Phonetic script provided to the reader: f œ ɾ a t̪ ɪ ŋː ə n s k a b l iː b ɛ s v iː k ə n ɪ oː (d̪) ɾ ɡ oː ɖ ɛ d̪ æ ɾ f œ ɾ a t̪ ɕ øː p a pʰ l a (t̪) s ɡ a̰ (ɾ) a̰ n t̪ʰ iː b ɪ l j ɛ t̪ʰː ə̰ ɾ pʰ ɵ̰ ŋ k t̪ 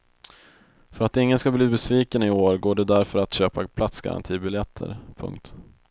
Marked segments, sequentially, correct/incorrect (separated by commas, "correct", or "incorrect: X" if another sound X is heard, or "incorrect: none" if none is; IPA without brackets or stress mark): incorrect: none, correct, correct